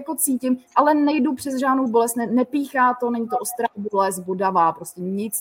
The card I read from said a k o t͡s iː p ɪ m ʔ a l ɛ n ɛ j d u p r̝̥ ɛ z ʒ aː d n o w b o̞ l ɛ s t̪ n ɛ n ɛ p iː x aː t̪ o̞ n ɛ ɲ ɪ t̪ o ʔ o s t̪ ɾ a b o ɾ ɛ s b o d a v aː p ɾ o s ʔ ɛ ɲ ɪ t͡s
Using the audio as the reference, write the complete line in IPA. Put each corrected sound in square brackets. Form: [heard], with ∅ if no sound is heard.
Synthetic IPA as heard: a k o t͡s iː [c] ɪ m ʔ a l ɛ n ɛ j d u p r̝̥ ɛ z ʒ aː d n o w b o̞ l ɛ s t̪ n ɛ n ɛ p iː x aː t̪ o̞ n ɛ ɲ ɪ t̪ o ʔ o s t̪ ɾ a b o [l] ɛ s b o d a v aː p ɾ o s [c] ɛ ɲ ɪ t͡s